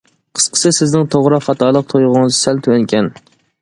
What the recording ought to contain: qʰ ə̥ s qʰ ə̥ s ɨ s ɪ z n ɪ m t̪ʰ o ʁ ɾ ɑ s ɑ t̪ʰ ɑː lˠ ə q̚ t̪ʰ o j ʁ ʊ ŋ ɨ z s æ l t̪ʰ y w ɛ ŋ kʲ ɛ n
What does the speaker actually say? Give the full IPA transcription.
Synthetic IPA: qʰ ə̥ s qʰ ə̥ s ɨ s ɪ z n ɪ ŋ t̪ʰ o ʁ ɾ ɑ χ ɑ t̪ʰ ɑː lˠ ə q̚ t̪ʰ o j ʁ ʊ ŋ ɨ z s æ l t̪ʰ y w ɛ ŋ kʲ ɛ n